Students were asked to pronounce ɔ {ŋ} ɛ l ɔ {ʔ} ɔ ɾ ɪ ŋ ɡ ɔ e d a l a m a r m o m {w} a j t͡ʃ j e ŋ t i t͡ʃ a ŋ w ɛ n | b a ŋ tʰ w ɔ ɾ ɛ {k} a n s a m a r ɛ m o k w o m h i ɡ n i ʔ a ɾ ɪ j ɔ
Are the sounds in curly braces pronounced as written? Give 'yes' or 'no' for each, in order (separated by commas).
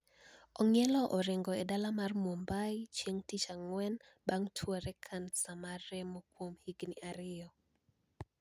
yes, yes, no, no